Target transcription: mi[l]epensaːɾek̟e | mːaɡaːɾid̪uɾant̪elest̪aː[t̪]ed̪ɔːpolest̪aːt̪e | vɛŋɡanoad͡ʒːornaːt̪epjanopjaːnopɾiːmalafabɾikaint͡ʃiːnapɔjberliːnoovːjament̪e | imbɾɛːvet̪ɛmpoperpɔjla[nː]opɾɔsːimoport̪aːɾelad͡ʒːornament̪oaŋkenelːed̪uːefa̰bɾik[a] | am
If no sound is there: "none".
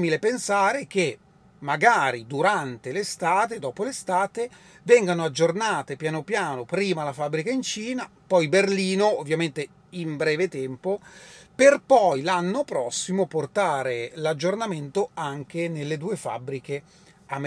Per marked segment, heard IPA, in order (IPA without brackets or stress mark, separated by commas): l, t̪, nː, e